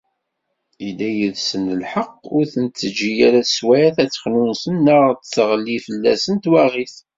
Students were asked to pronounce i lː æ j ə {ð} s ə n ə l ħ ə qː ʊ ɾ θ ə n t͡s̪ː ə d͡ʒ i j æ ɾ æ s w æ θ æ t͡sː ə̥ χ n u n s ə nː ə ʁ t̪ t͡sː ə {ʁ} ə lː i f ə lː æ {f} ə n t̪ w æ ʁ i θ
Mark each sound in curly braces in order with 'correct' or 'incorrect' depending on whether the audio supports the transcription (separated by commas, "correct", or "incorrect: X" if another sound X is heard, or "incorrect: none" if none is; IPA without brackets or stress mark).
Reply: correct, correct, incorrect: s